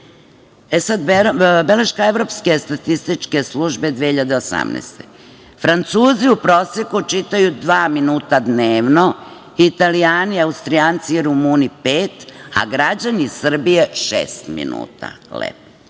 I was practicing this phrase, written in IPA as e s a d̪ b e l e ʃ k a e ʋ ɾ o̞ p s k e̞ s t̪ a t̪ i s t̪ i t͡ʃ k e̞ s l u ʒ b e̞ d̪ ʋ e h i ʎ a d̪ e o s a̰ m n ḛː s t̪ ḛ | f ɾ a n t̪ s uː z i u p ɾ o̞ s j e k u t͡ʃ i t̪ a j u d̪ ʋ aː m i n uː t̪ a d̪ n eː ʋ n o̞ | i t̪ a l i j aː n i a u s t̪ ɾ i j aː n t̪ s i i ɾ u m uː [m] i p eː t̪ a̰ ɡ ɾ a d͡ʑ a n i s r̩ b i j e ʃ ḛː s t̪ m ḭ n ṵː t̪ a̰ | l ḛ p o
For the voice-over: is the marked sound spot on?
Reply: no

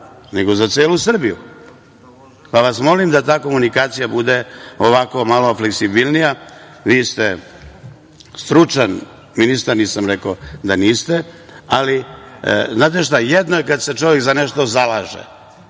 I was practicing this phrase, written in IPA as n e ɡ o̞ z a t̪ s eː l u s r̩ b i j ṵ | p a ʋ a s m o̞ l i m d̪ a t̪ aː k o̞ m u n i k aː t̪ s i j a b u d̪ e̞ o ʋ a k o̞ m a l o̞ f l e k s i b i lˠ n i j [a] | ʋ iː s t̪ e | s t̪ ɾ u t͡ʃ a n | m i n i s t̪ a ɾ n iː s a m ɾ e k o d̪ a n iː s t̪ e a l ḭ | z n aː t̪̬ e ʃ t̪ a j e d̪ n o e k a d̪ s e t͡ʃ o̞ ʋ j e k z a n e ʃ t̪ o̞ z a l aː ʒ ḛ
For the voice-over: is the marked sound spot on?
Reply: yes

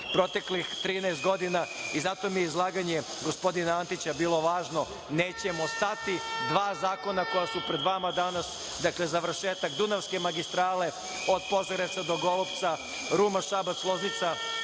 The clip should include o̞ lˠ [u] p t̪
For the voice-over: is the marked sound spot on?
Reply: no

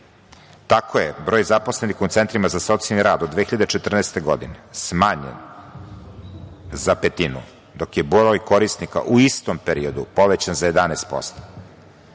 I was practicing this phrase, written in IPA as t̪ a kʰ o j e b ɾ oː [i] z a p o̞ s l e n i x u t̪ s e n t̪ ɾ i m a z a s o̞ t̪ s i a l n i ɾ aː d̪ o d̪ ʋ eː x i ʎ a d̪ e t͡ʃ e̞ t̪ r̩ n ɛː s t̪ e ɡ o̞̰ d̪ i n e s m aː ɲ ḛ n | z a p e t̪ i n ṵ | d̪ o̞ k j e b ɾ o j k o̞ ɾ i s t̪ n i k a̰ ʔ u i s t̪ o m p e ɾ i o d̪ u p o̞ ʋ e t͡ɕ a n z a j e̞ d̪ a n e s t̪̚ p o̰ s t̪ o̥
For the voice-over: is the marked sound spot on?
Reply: no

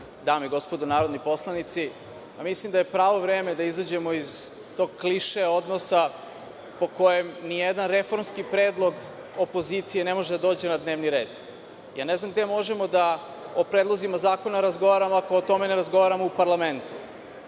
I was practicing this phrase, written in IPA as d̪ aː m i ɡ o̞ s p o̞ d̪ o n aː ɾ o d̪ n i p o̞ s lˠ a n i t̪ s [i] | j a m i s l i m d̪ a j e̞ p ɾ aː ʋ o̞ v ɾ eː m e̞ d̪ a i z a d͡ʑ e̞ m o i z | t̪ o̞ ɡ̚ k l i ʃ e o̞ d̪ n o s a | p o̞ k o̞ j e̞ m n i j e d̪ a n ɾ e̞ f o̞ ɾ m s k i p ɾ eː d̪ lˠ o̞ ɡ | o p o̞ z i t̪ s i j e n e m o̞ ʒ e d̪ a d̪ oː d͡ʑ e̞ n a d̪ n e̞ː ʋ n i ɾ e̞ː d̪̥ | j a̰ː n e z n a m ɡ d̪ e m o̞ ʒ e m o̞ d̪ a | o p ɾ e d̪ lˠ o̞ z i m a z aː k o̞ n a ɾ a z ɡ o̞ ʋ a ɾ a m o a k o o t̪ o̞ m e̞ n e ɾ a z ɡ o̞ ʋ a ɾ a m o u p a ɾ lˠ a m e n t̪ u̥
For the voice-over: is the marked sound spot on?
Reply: yes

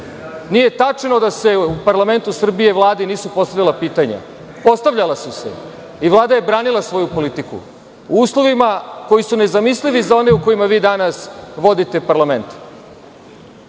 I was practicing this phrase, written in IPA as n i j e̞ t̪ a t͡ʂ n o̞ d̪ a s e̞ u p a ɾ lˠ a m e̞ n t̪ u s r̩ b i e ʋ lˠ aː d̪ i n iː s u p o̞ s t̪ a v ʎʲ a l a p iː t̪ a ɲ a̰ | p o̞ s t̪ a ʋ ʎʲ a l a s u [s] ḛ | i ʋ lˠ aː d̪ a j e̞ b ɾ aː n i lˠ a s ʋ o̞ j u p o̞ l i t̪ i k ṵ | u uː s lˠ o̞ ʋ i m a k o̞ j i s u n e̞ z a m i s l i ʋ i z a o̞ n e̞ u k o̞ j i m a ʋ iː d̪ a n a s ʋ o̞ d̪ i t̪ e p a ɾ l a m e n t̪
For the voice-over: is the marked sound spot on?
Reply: yes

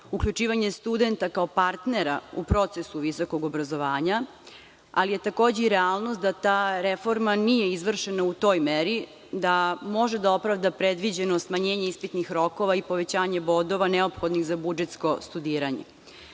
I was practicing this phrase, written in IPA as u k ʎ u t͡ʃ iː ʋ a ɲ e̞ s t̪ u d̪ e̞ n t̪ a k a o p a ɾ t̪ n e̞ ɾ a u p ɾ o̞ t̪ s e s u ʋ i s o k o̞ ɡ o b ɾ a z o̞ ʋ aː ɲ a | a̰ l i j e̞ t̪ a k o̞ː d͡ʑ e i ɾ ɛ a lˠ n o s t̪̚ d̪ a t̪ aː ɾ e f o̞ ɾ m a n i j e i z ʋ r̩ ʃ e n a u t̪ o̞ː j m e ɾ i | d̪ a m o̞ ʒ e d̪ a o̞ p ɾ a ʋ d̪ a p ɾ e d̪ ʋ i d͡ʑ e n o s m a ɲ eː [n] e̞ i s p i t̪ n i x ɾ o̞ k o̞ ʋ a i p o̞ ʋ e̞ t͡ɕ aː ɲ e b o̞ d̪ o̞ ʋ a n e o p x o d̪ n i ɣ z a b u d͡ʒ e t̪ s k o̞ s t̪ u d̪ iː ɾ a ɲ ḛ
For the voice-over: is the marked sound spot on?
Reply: no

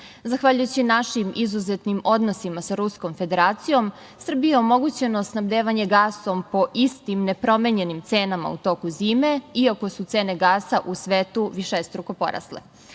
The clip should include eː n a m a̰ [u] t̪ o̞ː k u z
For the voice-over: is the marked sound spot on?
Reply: yes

